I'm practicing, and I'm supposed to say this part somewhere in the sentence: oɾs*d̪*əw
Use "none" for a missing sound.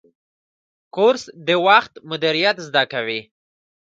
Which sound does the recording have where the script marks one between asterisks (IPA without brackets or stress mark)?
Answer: d̪